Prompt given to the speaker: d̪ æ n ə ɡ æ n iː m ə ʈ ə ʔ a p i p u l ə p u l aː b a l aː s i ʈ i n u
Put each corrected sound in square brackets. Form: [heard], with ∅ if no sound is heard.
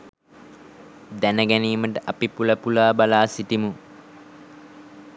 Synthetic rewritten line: d̪ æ n ə ɡ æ n iː m ə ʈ ə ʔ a p i p u l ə p u l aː b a l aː s i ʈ i [m] u